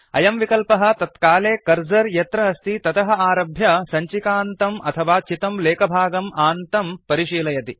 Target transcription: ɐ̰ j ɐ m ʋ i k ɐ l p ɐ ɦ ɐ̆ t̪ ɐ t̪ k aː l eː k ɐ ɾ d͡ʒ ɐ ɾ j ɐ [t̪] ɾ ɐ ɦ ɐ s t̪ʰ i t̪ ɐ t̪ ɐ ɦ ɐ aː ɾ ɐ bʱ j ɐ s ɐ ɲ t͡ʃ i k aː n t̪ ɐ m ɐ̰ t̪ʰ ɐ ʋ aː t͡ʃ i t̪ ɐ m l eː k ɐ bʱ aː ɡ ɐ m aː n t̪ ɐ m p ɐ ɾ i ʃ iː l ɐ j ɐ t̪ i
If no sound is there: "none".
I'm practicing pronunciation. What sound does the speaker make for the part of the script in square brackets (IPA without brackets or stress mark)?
t̪